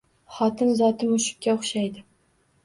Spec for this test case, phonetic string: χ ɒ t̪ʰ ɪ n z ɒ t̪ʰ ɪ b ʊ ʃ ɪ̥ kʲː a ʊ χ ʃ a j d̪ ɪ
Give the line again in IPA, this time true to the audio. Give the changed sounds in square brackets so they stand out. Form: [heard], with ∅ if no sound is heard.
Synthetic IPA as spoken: χ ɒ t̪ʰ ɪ n z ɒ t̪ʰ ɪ [m] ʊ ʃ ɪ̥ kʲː a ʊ χ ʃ a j d̪ ɪ